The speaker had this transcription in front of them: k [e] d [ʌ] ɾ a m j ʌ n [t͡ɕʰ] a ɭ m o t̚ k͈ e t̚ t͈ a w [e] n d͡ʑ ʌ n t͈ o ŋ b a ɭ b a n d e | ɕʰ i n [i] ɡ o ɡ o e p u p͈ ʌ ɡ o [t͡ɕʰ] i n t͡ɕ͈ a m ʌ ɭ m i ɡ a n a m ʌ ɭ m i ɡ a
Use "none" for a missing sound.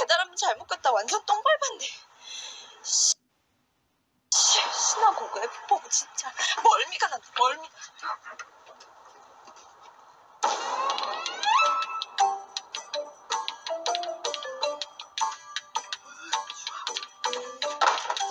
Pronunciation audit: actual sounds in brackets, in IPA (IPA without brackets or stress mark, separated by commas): e, a, t͡ɕ, a, a, t͡ɕ